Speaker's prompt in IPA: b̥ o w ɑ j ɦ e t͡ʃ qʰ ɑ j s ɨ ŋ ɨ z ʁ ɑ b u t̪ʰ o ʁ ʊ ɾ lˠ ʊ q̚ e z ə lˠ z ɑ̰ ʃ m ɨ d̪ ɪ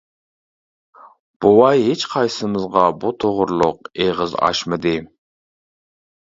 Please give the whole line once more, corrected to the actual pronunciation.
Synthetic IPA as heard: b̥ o w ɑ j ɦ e t͡ʃ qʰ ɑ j s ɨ m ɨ z ʁ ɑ b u t̪ʰ o ʁ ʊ ɾ lˠ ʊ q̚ e ʁ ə z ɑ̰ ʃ m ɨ d̪ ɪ